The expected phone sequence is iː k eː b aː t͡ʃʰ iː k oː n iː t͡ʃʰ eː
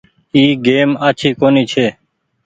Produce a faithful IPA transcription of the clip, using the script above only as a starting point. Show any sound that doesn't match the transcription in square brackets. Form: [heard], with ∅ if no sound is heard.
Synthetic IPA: iː [ɡ] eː [m] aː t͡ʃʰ iː k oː n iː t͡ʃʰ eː